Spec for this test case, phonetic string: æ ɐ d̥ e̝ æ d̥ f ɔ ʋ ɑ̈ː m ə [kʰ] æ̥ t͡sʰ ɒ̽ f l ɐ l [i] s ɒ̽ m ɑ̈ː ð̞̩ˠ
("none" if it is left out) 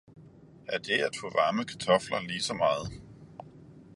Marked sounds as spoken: kʰ, iː

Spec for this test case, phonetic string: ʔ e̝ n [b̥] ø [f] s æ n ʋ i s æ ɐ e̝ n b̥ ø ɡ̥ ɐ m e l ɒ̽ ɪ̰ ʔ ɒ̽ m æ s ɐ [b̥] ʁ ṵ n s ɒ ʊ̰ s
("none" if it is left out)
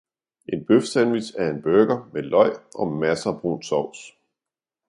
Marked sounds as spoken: b̥, f, b̥

